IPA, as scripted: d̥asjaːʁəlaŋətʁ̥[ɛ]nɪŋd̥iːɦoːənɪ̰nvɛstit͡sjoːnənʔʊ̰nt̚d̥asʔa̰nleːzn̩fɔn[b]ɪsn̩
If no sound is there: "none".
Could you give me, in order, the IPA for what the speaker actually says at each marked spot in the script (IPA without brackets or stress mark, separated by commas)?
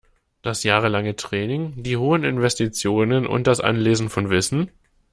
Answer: ɛː, v